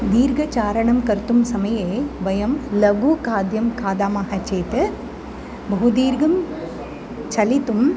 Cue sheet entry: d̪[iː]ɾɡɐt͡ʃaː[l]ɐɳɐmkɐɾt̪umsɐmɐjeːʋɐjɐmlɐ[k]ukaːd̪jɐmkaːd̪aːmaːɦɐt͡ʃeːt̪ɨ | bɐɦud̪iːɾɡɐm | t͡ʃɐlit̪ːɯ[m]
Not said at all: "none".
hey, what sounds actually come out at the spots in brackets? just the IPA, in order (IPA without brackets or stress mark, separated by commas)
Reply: iː, ɾ, ɡ, m